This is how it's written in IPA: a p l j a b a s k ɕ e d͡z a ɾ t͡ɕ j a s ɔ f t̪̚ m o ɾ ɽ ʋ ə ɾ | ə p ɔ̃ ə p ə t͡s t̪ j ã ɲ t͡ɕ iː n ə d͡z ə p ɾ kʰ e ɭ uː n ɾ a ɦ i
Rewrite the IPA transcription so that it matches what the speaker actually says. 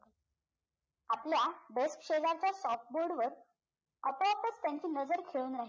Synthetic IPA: a p l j a b e s k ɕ e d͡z a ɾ t͡ɕ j a s ɔ f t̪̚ b o ɾ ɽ ʋ ə ɾ | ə p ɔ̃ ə p ə t͡s t̪ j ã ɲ t͡ɕ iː n ə d͡z ə ɾ kʰ e ɭ uː n ɾ a ɦ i